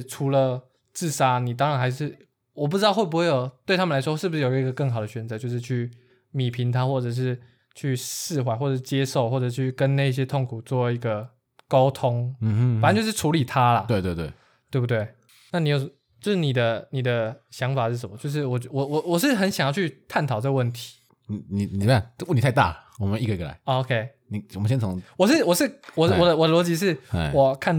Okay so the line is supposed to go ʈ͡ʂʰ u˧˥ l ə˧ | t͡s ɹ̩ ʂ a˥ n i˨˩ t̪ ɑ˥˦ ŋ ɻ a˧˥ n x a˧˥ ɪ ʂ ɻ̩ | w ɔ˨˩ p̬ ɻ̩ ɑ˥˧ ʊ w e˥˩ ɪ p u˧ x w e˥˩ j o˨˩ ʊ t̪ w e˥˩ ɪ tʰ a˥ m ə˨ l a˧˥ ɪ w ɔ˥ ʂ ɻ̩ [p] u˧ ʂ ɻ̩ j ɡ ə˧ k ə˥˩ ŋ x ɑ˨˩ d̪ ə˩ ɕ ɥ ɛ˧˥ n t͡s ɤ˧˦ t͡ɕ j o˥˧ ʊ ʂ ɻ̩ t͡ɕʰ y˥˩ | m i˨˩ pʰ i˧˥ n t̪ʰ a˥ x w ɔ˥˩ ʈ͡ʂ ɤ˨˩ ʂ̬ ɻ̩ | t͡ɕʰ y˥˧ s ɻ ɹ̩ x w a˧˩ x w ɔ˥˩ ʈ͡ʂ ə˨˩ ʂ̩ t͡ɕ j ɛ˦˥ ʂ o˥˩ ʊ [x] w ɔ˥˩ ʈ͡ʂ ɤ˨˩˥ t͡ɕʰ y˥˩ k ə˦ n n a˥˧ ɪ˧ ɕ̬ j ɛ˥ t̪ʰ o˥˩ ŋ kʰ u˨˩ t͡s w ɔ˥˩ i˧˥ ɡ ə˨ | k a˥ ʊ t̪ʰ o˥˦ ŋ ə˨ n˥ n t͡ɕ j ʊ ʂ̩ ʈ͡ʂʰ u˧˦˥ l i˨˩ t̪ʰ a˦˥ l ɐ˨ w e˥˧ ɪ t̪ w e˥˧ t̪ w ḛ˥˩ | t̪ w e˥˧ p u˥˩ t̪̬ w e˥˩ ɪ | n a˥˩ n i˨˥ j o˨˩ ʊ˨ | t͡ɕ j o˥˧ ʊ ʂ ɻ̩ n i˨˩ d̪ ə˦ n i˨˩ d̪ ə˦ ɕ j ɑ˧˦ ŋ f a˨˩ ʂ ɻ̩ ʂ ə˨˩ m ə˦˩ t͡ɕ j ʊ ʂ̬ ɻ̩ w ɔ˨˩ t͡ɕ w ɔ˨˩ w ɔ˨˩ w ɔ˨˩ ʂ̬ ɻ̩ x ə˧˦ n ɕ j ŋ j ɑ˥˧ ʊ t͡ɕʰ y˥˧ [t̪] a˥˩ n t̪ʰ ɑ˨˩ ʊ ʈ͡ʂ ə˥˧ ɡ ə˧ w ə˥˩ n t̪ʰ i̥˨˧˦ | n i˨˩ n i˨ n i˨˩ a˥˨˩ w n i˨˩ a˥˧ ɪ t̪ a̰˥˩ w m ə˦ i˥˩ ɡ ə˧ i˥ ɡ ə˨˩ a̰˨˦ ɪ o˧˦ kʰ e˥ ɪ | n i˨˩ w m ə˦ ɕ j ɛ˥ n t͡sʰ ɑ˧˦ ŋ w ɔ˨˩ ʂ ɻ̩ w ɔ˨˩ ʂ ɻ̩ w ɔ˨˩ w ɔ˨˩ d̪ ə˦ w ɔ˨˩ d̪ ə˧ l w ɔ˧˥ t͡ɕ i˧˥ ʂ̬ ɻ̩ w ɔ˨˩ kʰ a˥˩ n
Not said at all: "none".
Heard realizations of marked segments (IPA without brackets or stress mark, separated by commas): b, x, t̪ʰ